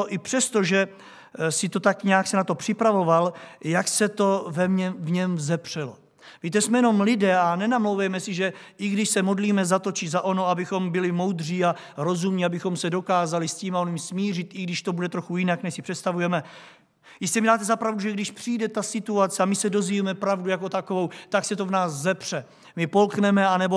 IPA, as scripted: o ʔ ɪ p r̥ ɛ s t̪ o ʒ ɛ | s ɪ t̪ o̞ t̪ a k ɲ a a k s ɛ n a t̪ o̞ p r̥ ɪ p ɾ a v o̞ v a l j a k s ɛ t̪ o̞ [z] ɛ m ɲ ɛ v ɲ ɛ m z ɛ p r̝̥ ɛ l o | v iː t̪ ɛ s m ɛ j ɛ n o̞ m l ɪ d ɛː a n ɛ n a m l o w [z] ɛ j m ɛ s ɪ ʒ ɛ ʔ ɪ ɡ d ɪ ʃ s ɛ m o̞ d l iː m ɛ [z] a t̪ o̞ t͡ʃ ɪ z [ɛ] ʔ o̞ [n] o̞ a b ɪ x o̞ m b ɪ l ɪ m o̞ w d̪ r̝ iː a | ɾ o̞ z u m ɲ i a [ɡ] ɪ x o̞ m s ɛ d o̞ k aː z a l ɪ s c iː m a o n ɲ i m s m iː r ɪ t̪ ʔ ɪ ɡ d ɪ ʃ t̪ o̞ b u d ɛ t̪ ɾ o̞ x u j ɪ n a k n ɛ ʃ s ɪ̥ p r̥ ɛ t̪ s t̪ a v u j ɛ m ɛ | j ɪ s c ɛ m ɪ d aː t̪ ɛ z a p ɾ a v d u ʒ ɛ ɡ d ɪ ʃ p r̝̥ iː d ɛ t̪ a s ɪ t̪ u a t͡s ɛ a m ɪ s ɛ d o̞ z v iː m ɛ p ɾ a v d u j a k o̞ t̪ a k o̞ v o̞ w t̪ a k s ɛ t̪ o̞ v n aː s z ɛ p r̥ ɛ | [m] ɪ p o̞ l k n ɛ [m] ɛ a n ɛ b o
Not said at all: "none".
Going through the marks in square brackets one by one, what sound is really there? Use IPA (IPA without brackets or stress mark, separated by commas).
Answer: v, v, z, a, n, b, m, m